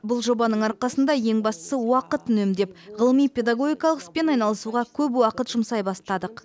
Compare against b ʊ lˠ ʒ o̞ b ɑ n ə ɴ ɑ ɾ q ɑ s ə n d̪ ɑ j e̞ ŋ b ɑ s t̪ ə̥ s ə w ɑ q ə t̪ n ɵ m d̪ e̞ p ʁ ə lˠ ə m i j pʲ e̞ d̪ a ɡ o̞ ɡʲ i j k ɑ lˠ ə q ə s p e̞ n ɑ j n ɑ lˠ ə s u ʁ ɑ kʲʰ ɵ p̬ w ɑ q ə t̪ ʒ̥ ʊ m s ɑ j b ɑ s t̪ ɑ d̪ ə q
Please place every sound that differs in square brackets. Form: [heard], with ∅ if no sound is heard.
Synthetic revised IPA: b ʊ lˠ ʒ o̞ b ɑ n ə ɴ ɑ ɾ q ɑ s ə n d̪ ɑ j e̞ ŋ b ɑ s t̪ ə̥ s ə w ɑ q ə t̪ n ɵ m d̪ e̞ p ʁ ə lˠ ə m i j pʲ e̞ d̪ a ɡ o̞ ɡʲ i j k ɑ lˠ ə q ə s p e̞ n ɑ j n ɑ lˠ ə s u ʁ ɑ kʲʰ ɵ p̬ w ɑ q ə t̪ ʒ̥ ʊ m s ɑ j b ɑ s t̪ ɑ d̪ ə q